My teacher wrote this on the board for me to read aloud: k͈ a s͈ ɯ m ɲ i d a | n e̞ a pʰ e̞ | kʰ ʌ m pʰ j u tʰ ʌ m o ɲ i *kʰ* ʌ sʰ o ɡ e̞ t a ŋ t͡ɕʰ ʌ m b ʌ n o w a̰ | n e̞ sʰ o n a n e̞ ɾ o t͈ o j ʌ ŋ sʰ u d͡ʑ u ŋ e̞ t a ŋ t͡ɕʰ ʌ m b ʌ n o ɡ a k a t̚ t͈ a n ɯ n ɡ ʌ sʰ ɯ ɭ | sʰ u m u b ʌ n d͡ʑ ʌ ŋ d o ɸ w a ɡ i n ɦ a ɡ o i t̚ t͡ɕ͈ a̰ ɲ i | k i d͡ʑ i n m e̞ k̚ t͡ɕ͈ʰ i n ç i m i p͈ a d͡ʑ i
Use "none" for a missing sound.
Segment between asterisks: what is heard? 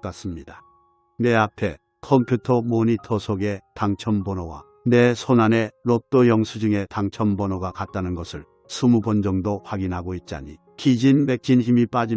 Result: tʰ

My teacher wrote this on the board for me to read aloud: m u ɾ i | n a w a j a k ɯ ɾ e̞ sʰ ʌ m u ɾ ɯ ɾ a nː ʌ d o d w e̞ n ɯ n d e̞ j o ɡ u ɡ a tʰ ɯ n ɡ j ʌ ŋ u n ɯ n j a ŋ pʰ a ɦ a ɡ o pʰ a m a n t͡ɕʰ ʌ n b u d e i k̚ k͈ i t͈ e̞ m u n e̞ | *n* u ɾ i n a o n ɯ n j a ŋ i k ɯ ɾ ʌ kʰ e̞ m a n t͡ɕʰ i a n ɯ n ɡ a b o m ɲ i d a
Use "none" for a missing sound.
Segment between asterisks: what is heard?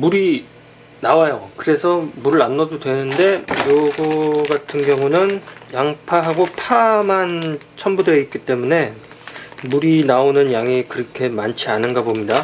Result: m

